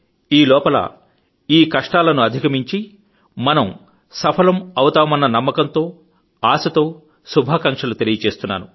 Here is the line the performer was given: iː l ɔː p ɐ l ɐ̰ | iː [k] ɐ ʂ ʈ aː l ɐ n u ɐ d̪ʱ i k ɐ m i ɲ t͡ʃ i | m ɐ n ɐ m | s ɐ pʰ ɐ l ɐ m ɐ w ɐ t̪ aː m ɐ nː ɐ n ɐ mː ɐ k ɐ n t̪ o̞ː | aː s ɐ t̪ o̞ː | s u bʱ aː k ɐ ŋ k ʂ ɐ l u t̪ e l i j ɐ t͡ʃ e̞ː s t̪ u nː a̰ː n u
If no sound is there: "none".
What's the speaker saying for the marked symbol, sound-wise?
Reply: k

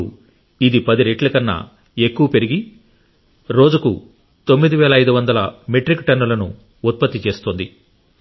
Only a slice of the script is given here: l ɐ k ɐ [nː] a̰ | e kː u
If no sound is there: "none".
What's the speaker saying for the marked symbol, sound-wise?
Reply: nː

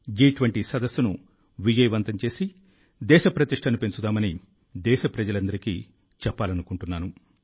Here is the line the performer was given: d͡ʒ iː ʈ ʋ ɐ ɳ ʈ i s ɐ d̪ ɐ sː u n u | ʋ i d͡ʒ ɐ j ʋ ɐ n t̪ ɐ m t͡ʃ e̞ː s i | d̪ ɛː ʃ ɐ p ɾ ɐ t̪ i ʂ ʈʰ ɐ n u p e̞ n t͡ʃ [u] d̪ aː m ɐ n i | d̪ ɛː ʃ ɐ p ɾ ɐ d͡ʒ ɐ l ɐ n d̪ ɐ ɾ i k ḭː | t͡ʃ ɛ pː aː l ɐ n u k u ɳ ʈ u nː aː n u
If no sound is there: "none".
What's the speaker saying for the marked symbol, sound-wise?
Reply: u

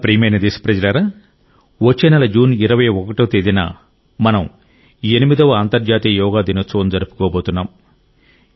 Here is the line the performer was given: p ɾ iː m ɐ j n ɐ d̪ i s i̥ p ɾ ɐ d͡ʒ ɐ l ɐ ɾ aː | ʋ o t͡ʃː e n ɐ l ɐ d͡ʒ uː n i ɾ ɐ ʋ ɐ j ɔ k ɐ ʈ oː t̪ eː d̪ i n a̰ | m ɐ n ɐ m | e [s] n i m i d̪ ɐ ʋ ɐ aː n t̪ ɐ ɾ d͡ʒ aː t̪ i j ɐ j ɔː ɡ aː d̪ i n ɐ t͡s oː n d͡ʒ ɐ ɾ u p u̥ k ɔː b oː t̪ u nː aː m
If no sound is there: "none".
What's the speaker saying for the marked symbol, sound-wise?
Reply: none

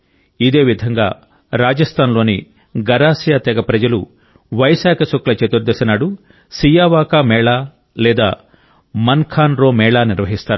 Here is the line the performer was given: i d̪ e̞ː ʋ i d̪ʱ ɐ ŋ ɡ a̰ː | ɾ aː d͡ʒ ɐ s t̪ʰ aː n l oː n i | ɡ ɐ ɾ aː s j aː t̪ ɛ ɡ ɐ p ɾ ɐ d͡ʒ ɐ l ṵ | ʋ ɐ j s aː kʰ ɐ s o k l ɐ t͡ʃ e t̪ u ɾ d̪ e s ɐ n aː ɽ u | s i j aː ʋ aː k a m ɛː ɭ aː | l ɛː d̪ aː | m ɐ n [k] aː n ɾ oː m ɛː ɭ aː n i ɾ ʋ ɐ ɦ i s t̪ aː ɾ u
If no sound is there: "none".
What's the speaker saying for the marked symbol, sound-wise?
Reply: kʰ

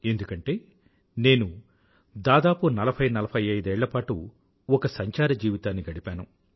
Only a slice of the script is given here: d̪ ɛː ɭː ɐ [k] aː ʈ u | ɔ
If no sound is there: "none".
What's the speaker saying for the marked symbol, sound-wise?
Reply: p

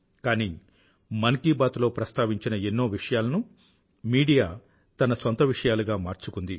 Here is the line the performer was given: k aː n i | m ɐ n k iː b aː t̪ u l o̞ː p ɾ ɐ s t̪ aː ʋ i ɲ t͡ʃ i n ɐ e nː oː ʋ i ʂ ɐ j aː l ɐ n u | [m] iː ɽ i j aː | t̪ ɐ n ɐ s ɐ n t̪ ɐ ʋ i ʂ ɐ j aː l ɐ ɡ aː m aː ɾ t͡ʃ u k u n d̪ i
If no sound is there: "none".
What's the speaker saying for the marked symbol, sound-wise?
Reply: m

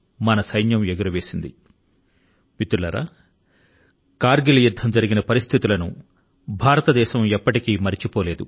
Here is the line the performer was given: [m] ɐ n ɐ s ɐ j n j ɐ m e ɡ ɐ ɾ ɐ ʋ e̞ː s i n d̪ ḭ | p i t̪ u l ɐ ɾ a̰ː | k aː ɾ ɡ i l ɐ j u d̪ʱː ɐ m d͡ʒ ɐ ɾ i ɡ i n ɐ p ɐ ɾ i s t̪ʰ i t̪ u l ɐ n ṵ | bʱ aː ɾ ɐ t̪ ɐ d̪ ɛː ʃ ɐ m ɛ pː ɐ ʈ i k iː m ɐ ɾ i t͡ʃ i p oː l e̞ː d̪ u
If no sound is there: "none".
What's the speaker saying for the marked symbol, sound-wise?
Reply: m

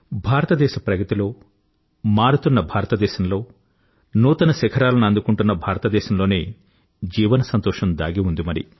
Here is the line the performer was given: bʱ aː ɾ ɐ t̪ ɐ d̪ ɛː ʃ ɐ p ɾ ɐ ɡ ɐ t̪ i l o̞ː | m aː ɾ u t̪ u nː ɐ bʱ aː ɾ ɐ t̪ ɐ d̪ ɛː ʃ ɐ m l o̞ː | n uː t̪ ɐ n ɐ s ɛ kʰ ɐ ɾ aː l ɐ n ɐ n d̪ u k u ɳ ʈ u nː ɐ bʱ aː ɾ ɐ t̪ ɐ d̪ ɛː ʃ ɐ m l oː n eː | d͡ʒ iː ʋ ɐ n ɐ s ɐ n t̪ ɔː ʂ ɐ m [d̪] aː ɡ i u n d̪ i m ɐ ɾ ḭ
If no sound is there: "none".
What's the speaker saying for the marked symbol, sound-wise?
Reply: d̪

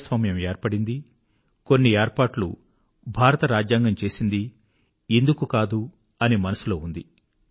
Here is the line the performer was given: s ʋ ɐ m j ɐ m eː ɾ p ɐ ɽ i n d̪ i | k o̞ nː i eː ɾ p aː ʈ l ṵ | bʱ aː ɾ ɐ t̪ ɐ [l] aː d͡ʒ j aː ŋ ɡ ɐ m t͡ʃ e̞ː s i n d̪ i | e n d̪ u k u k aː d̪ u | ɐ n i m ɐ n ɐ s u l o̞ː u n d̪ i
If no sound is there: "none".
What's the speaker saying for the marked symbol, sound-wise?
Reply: ɾ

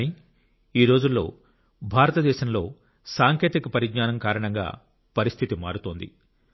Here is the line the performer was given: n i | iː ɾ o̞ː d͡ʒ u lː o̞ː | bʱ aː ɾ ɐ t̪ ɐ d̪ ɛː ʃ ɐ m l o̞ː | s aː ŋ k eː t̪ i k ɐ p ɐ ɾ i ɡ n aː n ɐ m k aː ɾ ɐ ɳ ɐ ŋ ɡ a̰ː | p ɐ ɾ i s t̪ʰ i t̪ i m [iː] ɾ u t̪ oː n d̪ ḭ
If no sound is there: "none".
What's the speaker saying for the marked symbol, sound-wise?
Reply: aː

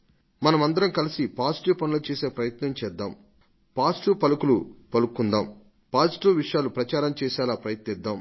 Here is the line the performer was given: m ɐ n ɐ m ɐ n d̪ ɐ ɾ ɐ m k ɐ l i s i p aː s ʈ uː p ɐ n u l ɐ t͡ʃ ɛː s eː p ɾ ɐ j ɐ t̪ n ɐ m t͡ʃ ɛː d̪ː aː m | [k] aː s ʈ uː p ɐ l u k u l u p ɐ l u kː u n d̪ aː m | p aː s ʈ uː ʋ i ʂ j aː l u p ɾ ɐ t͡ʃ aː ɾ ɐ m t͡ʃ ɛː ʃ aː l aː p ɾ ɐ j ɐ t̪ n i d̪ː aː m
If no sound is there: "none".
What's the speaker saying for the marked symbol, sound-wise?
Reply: p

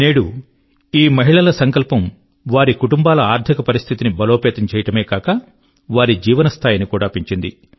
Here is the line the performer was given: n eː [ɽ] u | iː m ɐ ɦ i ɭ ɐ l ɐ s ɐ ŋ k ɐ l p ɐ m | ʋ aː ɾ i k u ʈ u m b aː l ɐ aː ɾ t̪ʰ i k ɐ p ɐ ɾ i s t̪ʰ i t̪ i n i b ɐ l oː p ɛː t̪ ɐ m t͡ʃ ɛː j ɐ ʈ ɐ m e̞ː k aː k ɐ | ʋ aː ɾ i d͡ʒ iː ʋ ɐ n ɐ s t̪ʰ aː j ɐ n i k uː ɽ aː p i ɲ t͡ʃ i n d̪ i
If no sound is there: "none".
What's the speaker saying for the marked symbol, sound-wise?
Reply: ɽ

